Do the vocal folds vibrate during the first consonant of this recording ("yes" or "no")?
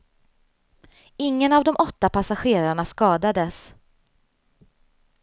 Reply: yes